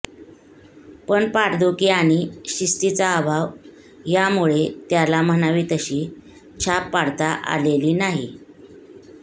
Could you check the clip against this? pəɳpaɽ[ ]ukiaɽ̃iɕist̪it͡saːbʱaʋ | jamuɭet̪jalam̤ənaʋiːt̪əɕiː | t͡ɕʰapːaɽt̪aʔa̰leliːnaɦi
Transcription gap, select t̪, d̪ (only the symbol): d̪